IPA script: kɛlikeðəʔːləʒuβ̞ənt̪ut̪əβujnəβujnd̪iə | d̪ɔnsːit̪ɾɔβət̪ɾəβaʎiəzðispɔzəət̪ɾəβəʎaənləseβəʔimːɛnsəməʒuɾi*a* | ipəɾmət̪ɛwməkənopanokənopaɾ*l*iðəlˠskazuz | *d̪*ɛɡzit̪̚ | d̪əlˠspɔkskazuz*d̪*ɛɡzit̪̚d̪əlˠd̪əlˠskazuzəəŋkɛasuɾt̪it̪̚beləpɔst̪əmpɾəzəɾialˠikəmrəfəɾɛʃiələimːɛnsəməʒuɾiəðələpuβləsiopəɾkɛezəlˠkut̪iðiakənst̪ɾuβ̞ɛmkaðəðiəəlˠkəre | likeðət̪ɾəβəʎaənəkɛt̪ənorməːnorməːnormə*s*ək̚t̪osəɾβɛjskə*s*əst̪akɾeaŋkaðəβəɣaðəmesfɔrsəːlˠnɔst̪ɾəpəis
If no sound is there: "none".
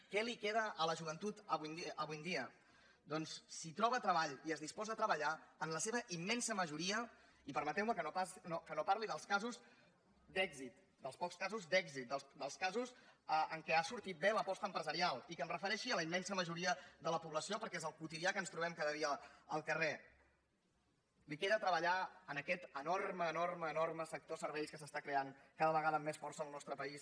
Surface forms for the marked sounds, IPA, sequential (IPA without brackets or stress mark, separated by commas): ə, l, d̪, d̪, s, s